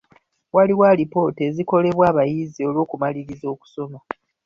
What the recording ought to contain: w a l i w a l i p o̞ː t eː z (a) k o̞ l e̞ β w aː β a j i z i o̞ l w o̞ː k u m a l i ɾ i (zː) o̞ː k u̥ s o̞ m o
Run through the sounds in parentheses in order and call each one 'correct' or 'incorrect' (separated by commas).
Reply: incorrect, incorrect